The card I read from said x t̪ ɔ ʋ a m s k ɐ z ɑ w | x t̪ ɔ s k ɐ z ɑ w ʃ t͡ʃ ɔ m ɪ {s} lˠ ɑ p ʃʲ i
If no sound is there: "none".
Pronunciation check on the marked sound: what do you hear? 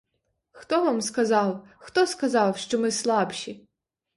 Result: s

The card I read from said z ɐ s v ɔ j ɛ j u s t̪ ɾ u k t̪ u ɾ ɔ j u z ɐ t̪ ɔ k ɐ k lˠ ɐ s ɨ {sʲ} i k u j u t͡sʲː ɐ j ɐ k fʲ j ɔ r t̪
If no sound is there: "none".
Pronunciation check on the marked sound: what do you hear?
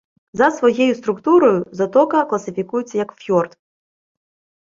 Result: fʲ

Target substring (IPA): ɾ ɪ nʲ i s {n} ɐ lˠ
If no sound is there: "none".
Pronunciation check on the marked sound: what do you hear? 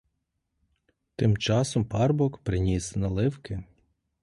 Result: n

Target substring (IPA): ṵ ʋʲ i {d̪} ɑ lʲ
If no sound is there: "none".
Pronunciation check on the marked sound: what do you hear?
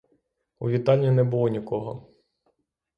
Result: t̪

